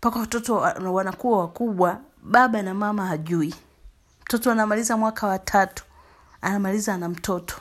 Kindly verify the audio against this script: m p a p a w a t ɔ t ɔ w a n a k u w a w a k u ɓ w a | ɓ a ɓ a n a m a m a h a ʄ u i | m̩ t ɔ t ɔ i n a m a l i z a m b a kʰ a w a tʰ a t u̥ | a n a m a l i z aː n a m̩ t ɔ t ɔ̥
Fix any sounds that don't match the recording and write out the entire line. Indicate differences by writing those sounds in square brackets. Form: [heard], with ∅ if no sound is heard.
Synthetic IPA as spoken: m p a [k] a w a t ɔ t ɔ w a n a k u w a w a k u ɓ w a | ɓ a ɓ a n a m a m a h a ʄ u i | m̩ t ɔ t ɔ [a] n a m a l i z a m [w] a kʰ a w a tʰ a t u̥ | a n a m a l i z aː n a m̩ t ɔ t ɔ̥